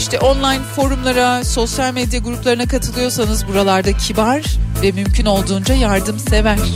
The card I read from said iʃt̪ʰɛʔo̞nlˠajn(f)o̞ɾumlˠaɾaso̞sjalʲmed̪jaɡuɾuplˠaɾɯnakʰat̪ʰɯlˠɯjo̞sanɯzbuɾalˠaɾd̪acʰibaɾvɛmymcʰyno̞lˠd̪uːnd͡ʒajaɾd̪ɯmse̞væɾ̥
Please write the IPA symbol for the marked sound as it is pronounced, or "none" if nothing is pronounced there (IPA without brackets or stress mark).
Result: f